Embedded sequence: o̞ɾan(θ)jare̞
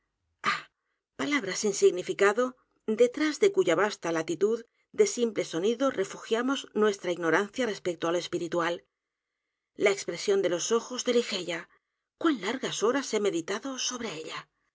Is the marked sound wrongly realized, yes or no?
no